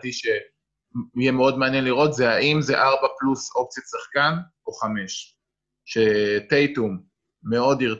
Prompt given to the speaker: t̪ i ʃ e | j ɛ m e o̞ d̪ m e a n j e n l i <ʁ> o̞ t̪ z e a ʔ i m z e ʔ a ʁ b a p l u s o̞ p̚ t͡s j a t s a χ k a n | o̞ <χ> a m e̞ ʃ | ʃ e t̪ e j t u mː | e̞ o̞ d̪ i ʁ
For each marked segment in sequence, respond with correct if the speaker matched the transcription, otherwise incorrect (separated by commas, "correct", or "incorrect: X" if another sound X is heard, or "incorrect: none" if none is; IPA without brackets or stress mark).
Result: correct, correct